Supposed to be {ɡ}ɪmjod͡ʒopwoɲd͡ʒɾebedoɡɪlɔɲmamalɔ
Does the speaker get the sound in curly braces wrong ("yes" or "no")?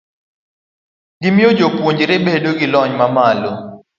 no